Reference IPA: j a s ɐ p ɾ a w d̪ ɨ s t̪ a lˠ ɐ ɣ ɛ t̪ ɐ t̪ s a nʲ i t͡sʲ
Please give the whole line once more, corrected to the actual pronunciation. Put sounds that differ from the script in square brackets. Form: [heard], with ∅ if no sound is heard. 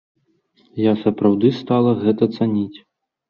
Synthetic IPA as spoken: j a s ɐ p ɾ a w d̪ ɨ s t̪ a lˠ ɐ ɣ ɛ t̪ ɐ t̪ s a nʲ i t͡sʲ